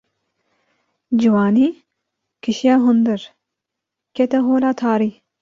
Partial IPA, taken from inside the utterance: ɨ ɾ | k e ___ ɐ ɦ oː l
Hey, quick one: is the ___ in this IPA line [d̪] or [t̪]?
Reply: t̪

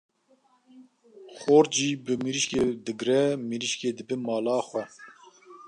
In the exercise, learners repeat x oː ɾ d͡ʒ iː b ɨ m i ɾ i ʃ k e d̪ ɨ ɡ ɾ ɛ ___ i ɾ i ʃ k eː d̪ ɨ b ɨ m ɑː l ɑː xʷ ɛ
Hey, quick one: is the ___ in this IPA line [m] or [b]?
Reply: m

